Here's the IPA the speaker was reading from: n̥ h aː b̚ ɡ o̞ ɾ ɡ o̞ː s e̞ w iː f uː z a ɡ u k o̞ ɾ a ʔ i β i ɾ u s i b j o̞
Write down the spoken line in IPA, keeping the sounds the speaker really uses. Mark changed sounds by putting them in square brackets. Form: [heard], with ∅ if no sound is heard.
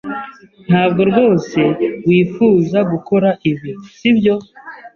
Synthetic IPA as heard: n̥ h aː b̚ ɡ o̞ ɾ ɡ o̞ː s e̞ w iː f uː z a ɡ u k o̞ ɾ a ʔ i β i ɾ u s i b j o̞